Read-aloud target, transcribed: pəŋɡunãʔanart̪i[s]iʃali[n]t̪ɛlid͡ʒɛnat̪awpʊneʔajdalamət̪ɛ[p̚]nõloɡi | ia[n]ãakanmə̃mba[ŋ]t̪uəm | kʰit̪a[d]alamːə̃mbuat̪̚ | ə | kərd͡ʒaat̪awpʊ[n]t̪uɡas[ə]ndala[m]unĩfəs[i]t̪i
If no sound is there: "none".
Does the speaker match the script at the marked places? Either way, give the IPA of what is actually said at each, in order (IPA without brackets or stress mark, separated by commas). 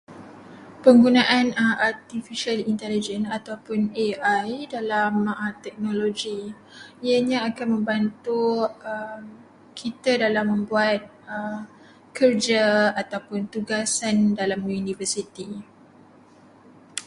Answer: f, n, k̚, ɲ, n, d, n, a, m, i